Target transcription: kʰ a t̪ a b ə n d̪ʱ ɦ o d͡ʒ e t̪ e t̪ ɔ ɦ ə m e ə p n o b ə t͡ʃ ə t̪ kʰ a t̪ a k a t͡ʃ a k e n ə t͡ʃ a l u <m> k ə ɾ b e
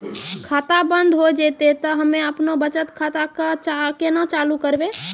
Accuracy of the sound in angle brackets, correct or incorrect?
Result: incorrect